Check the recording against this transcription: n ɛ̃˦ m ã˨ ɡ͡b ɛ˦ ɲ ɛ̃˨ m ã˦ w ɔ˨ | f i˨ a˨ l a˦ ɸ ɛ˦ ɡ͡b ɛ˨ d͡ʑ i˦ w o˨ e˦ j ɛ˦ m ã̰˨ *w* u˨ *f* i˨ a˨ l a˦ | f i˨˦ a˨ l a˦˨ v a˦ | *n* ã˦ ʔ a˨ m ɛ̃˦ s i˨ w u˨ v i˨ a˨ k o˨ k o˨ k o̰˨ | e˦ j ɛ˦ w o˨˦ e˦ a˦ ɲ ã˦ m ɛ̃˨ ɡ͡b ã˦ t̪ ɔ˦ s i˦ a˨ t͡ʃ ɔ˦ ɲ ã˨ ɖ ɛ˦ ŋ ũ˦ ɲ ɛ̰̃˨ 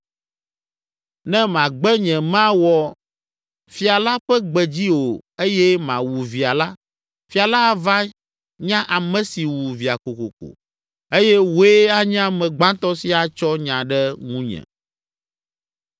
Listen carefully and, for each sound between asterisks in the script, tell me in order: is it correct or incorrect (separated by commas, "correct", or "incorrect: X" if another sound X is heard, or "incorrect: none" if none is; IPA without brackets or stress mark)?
correct, incorrect: v, incorrect: ɲ